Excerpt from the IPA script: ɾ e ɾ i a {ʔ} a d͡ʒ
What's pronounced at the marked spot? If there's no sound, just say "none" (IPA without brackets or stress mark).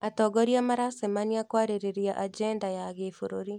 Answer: ʔ